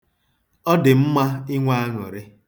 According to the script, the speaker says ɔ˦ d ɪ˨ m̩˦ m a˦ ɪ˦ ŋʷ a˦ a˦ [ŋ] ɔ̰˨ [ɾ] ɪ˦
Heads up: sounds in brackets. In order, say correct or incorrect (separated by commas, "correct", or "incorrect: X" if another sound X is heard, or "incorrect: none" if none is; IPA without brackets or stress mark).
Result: correct, correct